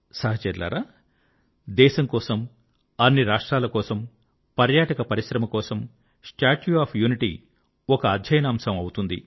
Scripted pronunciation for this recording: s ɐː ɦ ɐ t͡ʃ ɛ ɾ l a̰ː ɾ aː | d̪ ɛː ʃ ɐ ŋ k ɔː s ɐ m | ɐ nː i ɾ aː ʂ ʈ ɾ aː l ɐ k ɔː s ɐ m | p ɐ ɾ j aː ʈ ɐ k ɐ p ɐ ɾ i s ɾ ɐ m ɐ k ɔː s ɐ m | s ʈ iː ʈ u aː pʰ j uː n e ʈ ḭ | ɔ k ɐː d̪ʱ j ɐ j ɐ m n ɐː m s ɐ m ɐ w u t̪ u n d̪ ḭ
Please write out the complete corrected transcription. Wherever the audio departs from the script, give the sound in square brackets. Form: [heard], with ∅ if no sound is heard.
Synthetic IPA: s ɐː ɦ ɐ t͡ʃ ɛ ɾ l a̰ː ɾ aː | d̪ ɛː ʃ ɐ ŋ k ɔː s ɐ m | ɐ nː i ɾ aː ʂ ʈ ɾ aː l ɐ k ɔː s ɐ m | p ɐ ɾ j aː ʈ ɐ k ɐ p ɐ ɾ i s ɾ ɐ m ɐ k ɔː s ɐ m | s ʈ [aː] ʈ u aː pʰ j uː n [i] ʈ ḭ | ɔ k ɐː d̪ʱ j ɐ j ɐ [∅] n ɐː m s ɐ m ɐ w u t̪ u n d̪ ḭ

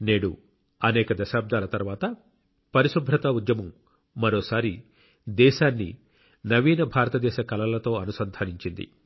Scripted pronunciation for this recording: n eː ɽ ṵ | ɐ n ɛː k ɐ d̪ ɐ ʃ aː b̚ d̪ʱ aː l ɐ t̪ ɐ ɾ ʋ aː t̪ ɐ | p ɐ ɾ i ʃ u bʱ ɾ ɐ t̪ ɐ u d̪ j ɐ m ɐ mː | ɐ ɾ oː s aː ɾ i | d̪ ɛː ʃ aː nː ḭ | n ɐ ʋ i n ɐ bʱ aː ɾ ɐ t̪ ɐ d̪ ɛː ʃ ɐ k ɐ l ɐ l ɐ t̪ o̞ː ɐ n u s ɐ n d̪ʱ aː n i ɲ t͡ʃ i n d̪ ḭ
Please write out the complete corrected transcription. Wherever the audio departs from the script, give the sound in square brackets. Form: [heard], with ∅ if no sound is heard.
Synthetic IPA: n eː ɽ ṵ | ɐ n ɛː k ɐ d̪ ɐ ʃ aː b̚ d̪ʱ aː l ɐ t̪ ɐ ɾ ʋ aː t̪ ɐ | p ɐ ɾ i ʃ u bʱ ɾ ɐ t̪ ɐ u d̪ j ɐ m ɐ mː | ɐ ɾ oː s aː ɾ i | d̪ ɛː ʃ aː nː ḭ | n ɐ ʋ [iː] n ɐ bʱ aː ɾ ɐ t̪ ɐ d̪ ɛː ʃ ɐ k ɐ l ɐ l ɐ t̪ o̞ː ɐ n u s ɐ n d̪ʱ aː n i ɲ t͡ʃ i n d̪ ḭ

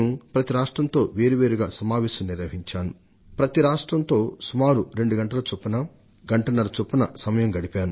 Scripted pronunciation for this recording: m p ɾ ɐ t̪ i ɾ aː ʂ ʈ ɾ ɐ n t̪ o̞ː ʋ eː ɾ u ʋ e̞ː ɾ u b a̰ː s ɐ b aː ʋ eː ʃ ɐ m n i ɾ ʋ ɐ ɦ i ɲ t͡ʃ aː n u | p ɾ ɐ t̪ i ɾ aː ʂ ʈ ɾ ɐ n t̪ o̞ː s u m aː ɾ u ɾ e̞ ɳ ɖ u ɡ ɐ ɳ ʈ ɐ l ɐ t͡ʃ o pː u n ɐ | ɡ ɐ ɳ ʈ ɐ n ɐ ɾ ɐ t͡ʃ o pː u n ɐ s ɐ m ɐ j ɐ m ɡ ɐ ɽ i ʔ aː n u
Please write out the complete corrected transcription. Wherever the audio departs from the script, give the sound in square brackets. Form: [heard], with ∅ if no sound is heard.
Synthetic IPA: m p ɾ ɐ t̪ i ɾ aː ʂ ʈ ɾ ɐ n t̪ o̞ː ʋ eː ɾ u ʋ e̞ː ɾ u [ɡ] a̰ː s ɐ [m] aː ʋ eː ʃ ɐ m n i ɾ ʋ ɐ ɦ i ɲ t͡ʃ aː n u | p ɾ ɐ t̪ i ɾ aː ʂ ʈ ɾ ɐ n t̪ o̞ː s u m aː ɾ u ɾ e̞ ɳ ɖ u ɡ ɐ ɳ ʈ ɐ l ɐ t͡ʃ o pː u n ɐ | ɡ ɐ ɳ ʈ ɐ n ɐ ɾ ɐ t͡ʃ o pː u n ɐ s ɐ m ɐ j ɐ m ɡ ɐ ɽ i [p] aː n u

